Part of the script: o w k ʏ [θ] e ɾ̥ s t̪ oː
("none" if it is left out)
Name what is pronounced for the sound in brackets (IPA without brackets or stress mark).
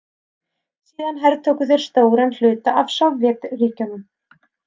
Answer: θ